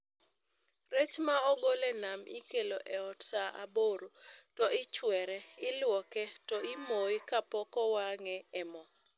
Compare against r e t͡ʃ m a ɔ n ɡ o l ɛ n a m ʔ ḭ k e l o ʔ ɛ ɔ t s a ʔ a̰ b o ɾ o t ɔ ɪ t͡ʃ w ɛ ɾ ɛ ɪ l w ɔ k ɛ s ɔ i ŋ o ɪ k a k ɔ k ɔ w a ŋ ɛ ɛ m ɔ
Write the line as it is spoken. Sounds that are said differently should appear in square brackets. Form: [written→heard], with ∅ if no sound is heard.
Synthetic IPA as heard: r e t͡ʃ m a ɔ [n→∅] ɡ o l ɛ n a m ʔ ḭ k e l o ʔ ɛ ɔ t s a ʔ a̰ b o ɾ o t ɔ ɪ t͡ʃ w ɛ ɾ ɛ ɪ l w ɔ k ɛ [s→t] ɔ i [ŋ→m] o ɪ k a [k→p] ɔ k ɔ w a ŋ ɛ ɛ m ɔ

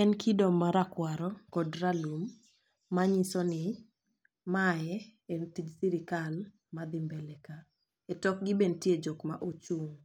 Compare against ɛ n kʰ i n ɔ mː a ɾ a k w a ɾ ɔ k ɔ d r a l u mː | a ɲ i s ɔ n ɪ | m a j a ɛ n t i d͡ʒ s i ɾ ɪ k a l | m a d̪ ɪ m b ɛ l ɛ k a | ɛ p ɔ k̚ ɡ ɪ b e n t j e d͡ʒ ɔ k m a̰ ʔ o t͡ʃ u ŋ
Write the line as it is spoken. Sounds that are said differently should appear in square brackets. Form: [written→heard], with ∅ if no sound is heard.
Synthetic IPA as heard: ɛ n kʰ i [n→d] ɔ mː a ɾ a k w a ɾ ɔ k ɔ d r a l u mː | a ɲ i s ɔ n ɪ | m a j [a→ɛ] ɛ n t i d͡ʒ s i ɾ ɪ k a l | m a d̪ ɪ m b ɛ l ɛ k a | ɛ [p→t] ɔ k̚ ɡ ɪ b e n t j e d͡ʒ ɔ k m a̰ ʔ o t͡ʃ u ŋ

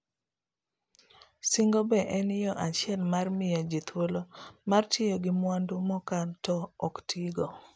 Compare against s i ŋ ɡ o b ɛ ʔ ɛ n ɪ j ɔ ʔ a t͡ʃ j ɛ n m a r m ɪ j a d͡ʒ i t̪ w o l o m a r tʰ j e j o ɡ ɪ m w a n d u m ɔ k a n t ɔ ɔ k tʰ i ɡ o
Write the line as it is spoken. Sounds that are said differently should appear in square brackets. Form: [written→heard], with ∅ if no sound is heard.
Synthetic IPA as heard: s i ŋ ɡ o b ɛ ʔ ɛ n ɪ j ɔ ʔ a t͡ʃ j ɛ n m a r m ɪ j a d͡ʒ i t̪ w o l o m a r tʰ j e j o ɡ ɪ m w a n d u m ɔ k a n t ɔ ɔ k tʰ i ɡ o

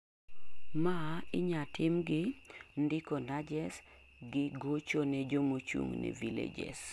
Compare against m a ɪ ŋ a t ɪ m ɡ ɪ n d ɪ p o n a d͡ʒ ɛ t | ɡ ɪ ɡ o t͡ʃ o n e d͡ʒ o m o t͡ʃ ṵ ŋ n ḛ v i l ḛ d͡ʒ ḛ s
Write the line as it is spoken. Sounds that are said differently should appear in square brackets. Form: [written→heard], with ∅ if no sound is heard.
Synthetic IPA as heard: m a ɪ [ŋ→ɲ] a t ɪ m ɡ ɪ n d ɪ [p→k] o n a d͡ʒ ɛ [t→s] | ɡ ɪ ɡ o t͡ʃ o n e d͡ʒ o m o t͡ʃ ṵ ŋ n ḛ v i l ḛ d͡ʒ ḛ s

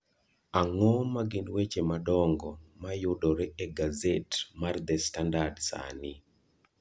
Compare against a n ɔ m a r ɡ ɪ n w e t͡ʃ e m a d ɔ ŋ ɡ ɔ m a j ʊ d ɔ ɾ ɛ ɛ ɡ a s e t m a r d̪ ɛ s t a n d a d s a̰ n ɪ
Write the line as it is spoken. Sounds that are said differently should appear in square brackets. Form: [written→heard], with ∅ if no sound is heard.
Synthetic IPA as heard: a [n→ŋ] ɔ m a [r→∅] ɡ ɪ n w e t͡ʃ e m a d ɔ ŋ ɡ ɔ m a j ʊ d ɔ ɾ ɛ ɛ ɡ a [s→z] e t m a r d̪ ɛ s t a n d a d s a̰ n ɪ

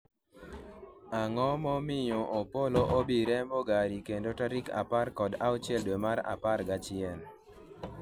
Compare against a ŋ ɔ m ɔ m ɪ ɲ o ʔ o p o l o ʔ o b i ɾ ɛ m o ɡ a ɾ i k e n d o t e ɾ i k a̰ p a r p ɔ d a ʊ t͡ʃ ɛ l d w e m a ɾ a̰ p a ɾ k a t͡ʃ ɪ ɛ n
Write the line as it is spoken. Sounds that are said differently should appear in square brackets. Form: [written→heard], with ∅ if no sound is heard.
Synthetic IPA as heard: a ŋ ɔ m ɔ m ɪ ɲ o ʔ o p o l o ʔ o b i ɾ ɛ m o ɡ a ɾ i k e n d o t [e→a] ɾ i k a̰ p a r [p→k] ɔ d a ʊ t͡ʃ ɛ l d w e m a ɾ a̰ p a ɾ [k→ɡ] a t͡ʃ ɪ ɛ n

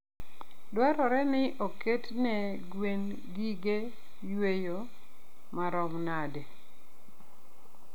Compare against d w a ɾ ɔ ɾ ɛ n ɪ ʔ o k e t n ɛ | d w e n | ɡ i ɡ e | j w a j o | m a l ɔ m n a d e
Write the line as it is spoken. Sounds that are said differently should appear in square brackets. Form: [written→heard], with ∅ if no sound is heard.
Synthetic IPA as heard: d w a ɾ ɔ ɾ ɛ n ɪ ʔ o k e t n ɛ | [d→ɡ] w e n | ɡ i ɡ e | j w [a→e] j o | m a [l→ɾ] ɔ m n a d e

